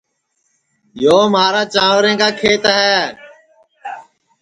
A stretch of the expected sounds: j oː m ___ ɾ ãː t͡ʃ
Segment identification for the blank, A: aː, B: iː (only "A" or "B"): A